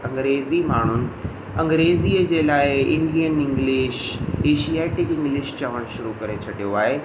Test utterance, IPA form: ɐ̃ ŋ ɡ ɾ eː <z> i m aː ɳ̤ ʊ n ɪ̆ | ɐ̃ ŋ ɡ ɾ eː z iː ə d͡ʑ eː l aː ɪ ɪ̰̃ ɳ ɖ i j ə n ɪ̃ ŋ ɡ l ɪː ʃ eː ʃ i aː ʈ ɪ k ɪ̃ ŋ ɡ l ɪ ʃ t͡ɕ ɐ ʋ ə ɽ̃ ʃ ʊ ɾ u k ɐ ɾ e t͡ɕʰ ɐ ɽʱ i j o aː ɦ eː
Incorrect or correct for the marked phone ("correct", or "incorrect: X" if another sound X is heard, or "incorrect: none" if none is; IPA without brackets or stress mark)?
correct